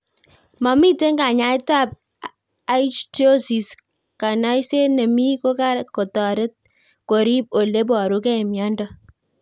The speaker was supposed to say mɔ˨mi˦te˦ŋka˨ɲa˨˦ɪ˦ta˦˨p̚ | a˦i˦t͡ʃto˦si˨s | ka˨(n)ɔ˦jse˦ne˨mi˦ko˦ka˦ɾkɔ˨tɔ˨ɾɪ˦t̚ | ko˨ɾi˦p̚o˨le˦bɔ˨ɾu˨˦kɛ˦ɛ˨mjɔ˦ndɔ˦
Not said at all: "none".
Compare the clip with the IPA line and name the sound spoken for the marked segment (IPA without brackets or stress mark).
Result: n